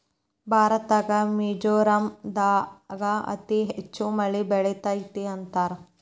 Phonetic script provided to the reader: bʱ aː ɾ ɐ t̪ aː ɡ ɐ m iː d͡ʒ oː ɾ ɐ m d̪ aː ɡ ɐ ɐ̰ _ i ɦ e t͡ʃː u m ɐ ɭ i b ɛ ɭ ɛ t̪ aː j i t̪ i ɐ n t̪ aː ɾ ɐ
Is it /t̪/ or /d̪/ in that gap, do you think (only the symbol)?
t̪